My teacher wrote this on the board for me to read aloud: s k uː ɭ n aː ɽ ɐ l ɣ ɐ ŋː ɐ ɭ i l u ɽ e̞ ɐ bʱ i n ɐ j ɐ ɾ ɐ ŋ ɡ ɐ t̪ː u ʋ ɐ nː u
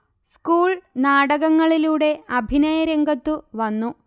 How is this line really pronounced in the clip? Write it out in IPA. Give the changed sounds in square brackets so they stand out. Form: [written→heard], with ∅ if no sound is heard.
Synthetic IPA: s k uː ɭ n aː ɽ ɐ [l→∅] ɣ ɐ ŋː ɐ ɭ i l [u→uː] ɽ e̞ ɐ bʱ i n ɐ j ɐ ɾ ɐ ŋ ɡ ɐ t̪ː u ʋ ɐ nː u